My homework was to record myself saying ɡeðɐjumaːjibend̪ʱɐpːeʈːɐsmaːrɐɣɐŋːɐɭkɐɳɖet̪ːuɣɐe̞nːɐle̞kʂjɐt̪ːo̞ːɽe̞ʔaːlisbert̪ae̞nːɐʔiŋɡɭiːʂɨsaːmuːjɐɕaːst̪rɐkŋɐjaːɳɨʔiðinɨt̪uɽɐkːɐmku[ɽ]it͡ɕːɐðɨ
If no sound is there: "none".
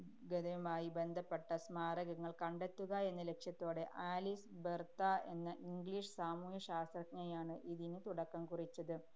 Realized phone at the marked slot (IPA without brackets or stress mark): r